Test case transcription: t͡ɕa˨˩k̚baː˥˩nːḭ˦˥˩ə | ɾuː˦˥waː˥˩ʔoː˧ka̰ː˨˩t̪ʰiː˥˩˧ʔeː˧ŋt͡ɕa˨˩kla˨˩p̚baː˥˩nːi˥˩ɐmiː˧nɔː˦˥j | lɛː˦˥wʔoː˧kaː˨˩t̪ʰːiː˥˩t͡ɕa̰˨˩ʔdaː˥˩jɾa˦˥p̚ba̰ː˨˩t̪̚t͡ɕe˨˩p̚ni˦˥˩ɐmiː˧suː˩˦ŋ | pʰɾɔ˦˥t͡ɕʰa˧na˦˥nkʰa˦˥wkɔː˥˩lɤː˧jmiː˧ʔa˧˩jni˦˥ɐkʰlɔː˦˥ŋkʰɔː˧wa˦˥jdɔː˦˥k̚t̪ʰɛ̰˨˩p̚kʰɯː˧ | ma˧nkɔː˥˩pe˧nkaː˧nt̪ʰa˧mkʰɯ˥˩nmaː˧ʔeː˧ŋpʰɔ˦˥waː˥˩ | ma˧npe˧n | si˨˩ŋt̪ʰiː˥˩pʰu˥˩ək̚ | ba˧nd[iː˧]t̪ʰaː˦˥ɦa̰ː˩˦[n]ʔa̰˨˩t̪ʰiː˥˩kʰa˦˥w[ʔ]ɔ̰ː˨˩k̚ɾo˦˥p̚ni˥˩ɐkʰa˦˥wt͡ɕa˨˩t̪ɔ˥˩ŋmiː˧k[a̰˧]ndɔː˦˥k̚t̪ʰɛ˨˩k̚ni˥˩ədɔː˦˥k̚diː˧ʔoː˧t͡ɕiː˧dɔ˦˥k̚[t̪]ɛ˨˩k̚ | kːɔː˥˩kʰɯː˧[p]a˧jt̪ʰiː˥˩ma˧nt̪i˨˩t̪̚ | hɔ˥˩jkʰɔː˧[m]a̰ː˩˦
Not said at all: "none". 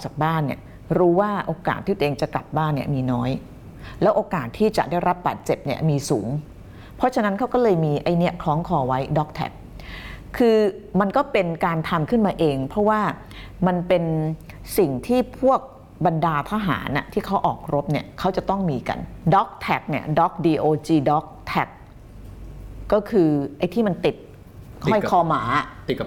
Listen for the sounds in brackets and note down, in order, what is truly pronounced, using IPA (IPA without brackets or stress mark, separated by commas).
aː˧, n, ʔ, a̰˧, t̪ʰ, ʔ, m